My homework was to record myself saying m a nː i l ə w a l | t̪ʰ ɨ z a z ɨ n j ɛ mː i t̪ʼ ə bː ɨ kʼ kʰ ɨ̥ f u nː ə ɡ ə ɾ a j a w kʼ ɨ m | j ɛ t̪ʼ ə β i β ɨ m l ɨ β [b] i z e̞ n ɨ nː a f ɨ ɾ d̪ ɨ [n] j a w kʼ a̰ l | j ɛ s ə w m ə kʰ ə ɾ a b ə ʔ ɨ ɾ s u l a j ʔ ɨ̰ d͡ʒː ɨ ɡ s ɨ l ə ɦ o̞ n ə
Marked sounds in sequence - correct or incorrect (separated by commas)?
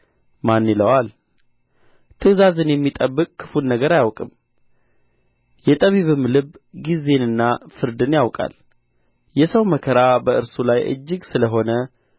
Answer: incorrect, correct